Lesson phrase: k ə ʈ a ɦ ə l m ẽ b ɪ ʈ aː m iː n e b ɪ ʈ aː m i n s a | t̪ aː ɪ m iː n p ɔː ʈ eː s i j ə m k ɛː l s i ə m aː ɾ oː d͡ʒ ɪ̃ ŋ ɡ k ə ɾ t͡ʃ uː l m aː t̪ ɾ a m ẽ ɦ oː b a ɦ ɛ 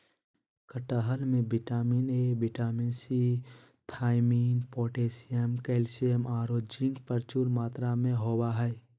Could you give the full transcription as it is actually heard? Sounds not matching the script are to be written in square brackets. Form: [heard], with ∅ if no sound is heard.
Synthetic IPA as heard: k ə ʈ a ɦ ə l m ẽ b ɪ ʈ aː m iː n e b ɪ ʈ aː m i n s [i] | [t̪ʰ] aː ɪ m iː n p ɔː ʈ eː s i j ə m k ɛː l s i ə m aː ɾ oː d͡ʒ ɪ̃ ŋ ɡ [p] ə ɾ t͡ʃ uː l m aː t̪ ɾ a m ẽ ɦ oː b a ɦ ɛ